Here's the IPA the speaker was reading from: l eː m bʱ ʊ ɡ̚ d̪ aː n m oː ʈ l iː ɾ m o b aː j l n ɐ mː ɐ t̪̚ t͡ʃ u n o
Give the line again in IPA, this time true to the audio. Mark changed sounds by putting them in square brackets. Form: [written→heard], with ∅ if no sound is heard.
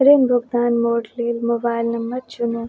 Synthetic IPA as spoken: [l→ɾ] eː m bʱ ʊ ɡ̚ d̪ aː n m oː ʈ l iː [ɾ→l] m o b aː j l n ɐ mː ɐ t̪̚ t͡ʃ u n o